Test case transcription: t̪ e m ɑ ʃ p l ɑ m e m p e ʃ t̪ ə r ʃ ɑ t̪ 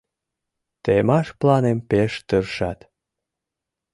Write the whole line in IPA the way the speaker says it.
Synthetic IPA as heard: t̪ e m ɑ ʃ p l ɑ n e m p e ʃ t̪ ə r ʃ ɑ t̪